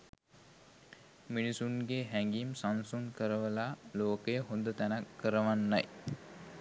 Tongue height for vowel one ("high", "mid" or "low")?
high